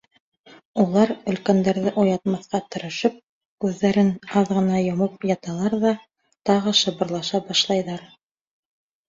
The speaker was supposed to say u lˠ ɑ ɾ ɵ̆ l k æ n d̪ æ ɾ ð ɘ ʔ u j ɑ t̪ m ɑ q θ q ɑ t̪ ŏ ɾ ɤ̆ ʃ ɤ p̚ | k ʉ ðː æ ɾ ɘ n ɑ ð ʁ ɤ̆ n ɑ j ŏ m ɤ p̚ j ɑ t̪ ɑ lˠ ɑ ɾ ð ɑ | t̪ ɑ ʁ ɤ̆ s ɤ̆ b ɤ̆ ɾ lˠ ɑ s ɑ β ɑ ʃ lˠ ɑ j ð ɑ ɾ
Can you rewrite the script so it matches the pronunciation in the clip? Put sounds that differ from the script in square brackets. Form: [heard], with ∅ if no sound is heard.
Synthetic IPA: u lˠ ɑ ɾ ɵ̆ l k æ n d̪ æ ɾ ð ɘ ʔ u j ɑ t̪ m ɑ [∅] θ q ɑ t̪ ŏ ɾ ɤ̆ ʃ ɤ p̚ | k ʉ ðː æ ɾ ɘ n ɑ ð ʁ ɤ̆ n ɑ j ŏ m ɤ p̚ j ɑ t̪ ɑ lˠ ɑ ɾ ð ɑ | t̪ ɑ ʁ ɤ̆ [ʃ] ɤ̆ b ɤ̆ ɾ lˠ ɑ [ʃ] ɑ [b] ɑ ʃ lˠ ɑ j ð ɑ ɾ